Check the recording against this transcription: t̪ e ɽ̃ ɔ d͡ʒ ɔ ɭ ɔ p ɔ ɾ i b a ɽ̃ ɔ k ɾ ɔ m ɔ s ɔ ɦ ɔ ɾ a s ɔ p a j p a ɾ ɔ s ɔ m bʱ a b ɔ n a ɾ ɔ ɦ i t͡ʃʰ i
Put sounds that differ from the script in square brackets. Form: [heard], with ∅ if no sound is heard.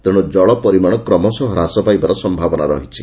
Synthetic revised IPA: t̪ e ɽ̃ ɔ d͡ʒ ɔ ɭ ɔ p ɔ ɾ i [m] a ɽ̃ ɔ k ɾ ɔ m ɔ s ɔ ɦ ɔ ɾ a s ɔ p a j [b] a ɾ ɔ s ɔ m bʱ a b ɔ n a ɾ ɔ ɦ i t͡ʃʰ i